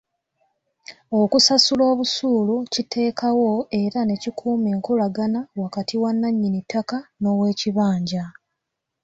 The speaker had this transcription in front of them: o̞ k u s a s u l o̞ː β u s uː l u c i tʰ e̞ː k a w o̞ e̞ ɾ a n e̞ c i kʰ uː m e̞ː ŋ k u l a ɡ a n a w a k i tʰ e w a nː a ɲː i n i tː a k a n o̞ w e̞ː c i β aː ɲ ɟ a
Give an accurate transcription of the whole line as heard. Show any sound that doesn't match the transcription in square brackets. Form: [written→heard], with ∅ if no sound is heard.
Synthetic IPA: o̞ k u s a s u l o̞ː β u s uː l u c i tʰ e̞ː k a w o̞ e̞ ɾ a n e̞ c i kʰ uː m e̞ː ŋ k u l a ɡ a n a w a k [i→a] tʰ [e→i] w a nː a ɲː i n i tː a k a n o̞ w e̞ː c i β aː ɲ ɟ a